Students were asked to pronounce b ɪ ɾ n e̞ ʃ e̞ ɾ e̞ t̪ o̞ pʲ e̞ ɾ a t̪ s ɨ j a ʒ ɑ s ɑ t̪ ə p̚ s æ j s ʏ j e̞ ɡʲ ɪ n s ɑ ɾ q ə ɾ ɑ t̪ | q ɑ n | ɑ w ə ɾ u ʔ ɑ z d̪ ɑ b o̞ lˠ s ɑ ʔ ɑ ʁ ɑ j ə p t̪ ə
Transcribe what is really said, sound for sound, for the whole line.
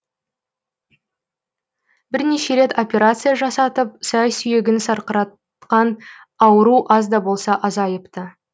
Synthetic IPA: b ɪ ɾ n e̞ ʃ e̞ ɾ e̞ t̪ o̞ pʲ e̞ ɾ a t̪ s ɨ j a ʒ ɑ s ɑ t̪ ə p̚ s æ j s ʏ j e̞ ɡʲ ɪ n s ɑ ɾ q ə ɾ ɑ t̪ | q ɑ n | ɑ w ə ɾ u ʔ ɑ z d̪ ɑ b o̞ lˠ s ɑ ʔ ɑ z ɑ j ə p t̪ ə

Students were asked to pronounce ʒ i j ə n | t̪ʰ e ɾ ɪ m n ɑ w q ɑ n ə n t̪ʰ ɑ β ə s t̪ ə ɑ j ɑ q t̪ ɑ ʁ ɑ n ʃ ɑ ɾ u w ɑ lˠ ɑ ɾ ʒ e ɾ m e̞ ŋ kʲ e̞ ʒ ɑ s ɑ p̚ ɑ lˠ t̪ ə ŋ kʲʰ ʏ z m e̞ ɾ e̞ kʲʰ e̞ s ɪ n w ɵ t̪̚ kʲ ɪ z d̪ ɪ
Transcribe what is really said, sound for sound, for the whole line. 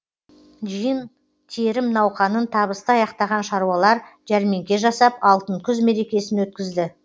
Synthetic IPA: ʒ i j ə n | t̪ʰ e ɾ ɪ m n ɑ w q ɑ n ə n t̪ʰ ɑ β ə s t̪ ə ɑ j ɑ q t̪ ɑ ʁ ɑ n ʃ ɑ ɾ u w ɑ lˠ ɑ ɾ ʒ æ ɾ m e̞ ŋ kʲ e̞ ʒ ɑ s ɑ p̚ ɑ lˠ t̪ ə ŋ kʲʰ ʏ z m e̞ ɾ e̞ kʲ e̞ s ɪ n w ɵ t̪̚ kʲ ɪ z d̪ ɪ

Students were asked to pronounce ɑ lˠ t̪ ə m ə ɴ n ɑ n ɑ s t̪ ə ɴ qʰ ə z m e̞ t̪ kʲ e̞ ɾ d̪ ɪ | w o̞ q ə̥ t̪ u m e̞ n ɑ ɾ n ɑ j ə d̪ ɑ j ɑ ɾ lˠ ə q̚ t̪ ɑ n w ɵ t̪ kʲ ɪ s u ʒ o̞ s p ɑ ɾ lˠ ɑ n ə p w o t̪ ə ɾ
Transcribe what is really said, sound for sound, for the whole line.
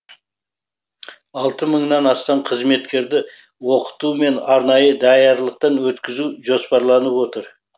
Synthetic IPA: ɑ lˠ t̪ ə m ə ɴ n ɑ n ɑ s t̪ ɑ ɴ qʰ ə z m e̞ t̪ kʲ e̞ ɾ d̪ ɪ | w o̞ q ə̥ t̪ u m e̞ n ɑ ɾ n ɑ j ə d̪ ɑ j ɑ ɾ lˠ ə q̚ t̪ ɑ n w ɵ t̪ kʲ ɪ z u ʒ o̞ s p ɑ ɾ lˠ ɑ n ə p w o t̪ ə ɾ

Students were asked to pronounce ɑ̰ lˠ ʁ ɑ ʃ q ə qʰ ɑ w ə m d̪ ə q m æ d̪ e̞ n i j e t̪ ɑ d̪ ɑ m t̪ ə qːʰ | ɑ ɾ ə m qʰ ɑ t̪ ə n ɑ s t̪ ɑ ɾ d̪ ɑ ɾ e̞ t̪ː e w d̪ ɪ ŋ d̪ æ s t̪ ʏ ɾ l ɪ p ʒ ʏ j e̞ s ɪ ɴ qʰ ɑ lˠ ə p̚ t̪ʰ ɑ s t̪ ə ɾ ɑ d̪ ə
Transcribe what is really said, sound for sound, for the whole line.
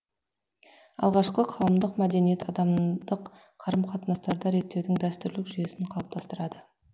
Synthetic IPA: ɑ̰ lˠ ʁ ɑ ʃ q ə qʰ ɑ w ə m d̪ ə q m æ d̪ e̞ n i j e t̪ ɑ d̪ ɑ m d̪ ə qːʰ | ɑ ɾ ə m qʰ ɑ t̪ ə n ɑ s t̪ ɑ ɾ d̪ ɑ ɾ e̞ t̪ː e w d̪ ɪ ŋ d̪ æ s t̪ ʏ ɾ l ɪ k ʒ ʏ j e̞ s ɪ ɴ qʰ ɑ lˠ ə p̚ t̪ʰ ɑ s t̪ ə ɾ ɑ d̪ ə

